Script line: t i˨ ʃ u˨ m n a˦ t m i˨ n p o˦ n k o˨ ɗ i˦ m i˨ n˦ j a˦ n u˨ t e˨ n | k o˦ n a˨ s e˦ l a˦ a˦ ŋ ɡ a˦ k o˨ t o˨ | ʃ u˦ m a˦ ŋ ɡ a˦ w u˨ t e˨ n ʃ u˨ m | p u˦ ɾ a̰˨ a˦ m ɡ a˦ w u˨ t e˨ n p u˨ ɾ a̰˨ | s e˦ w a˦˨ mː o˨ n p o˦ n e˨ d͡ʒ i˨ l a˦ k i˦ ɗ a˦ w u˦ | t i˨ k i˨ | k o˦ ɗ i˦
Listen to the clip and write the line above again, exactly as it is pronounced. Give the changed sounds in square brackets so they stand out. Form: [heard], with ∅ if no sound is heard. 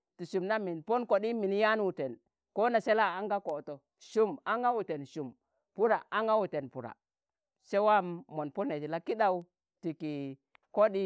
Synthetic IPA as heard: t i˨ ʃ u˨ m n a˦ [∅] m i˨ n p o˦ n k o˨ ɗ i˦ m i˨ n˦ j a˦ n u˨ t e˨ n | k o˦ n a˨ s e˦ l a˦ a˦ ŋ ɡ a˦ k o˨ t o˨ | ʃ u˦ m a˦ ŋ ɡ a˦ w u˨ t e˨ n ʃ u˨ m | p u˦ ɾ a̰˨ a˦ [ŋ] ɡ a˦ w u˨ t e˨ n p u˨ ɾ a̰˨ | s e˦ w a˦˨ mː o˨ n p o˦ n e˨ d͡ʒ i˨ l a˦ k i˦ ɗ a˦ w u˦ | t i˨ k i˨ | k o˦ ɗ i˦